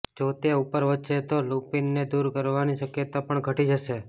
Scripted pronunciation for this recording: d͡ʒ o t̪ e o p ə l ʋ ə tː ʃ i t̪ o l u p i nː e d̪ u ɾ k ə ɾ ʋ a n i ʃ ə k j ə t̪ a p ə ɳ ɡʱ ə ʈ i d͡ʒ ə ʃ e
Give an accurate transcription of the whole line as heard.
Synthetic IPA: d͡ʒ o t̪ e u p ə ɾ ʋ ə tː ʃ e t̪ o l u p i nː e d̪ u ɾ k ə ɾ ʋ a n i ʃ ə k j ə t̪ a p ə ɳ ɡʱ ə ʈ i d͡ʒ ə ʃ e